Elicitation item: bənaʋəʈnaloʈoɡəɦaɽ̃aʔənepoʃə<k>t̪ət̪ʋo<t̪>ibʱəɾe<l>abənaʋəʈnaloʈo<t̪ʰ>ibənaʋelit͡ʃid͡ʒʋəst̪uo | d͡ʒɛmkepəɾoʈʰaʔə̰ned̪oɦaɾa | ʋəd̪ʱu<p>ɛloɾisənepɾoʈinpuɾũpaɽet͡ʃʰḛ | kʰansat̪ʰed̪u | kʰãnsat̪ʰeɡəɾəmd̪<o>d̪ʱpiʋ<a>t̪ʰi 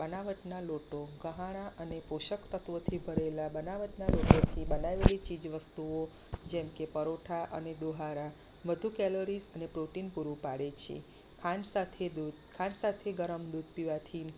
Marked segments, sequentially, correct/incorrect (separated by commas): correct, incorrect, correct, correct, incorrect, incorrect, correct